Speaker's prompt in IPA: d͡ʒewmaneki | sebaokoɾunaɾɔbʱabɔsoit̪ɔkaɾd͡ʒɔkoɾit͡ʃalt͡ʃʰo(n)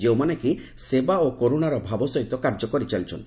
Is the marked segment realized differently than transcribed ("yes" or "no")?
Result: no